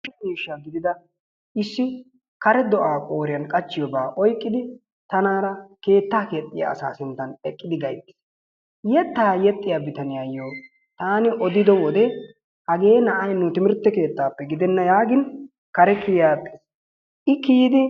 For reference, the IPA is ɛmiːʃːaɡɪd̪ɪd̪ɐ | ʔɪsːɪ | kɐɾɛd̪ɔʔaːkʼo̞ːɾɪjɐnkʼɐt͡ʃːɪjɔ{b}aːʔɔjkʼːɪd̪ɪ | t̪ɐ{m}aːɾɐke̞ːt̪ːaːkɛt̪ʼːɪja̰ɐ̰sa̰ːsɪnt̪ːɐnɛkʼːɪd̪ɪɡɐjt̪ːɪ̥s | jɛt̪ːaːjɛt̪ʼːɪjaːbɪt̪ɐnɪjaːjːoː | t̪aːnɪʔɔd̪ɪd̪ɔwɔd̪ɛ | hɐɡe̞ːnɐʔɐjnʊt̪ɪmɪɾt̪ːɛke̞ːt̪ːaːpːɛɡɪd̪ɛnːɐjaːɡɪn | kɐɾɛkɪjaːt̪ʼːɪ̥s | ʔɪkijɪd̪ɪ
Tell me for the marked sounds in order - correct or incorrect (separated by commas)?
correct, incorrect